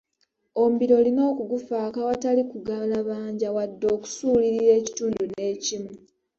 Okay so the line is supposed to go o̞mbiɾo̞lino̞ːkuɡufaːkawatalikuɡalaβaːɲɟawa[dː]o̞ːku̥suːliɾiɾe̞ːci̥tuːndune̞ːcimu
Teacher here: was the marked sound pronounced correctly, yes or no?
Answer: yes